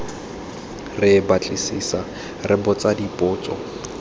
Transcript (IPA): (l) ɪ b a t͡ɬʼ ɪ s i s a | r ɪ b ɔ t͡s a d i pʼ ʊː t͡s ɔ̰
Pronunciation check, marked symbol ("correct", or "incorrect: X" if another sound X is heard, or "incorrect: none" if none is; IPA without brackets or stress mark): incorrect: r